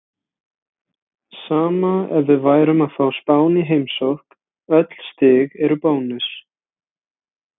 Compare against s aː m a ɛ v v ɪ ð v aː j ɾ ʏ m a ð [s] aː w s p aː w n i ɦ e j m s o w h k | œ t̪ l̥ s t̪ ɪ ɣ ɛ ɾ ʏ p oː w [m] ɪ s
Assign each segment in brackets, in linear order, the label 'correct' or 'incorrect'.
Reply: incorrect, incorrect

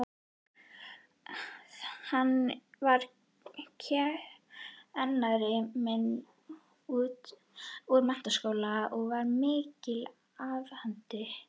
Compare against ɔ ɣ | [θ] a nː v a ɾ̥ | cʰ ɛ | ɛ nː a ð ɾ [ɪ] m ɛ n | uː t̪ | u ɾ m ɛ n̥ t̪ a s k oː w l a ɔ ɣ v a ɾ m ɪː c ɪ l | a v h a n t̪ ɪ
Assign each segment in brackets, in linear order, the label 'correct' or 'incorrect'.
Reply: incorrect, correct

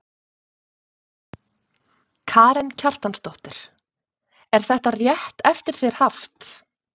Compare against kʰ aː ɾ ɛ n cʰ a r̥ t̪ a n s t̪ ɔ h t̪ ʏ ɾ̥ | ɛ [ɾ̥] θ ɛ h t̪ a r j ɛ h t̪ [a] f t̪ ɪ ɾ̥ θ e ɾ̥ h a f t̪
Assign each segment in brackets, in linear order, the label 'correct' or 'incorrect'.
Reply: correct, incorrect

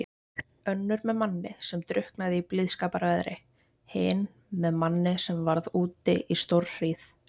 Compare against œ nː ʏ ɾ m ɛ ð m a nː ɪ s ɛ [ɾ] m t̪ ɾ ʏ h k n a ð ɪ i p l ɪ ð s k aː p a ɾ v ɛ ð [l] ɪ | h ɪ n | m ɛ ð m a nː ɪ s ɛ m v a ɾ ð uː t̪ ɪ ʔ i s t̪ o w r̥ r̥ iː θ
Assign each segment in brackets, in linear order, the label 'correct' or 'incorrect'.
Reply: incorrect, incorrect

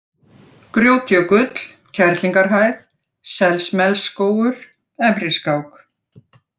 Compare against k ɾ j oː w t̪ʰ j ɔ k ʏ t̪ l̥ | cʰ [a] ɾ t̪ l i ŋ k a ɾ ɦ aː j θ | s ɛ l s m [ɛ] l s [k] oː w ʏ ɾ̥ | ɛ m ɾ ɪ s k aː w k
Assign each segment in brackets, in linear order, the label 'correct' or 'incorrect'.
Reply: incorrect, correct, correct

